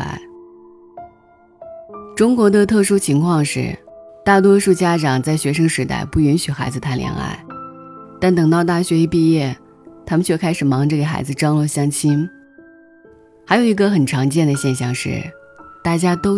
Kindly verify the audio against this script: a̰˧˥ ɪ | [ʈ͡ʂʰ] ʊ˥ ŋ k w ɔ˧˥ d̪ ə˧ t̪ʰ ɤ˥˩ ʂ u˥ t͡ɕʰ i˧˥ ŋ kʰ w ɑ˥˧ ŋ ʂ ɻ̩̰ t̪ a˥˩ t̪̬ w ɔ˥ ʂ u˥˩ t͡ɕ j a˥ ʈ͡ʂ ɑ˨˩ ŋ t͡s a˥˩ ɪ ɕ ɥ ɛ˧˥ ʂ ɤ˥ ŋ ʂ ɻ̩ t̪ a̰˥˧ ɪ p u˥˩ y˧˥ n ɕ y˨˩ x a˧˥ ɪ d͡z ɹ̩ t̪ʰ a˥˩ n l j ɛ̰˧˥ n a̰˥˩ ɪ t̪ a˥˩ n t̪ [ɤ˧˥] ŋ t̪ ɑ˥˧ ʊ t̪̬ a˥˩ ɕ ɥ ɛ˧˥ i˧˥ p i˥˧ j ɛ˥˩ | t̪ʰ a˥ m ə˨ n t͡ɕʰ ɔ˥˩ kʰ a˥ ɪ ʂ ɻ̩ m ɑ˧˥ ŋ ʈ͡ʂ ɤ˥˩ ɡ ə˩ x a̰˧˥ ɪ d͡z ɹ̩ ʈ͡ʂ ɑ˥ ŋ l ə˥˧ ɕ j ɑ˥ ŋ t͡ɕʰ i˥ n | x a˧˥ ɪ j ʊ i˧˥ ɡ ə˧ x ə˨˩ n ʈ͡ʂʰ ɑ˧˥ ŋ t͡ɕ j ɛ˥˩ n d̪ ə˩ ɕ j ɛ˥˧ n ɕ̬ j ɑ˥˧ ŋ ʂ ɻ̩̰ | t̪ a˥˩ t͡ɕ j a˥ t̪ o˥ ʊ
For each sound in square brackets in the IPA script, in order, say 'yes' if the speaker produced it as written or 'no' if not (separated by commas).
no, no